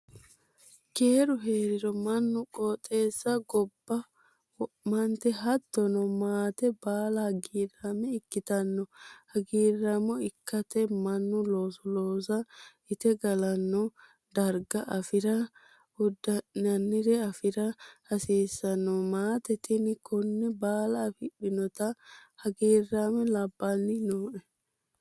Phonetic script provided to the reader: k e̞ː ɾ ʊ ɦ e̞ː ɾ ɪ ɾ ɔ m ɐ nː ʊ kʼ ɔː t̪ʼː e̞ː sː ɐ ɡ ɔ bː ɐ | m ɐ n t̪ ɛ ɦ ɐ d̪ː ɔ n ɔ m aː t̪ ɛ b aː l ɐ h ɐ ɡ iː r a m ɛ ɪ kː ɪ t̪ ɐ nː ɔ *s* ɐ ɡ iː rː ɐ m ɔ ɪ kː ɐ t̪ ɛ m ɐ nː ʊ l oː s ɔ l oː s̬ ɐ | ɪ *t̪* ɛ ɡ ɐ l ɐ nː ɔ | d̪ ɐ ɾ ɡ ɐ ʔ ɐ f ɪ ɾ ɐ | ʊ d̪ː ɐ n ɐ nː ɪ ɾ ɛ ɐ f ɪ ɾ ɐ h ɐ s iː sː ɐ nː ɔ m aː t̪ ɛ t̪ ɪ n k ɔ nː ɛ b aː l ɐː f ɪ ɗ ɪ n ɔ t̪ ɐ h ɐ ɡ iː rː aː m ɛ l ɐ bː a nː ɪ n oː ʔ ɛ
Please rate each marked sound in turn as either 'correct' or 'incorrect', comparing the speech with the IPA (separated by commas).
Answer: incorrect, correct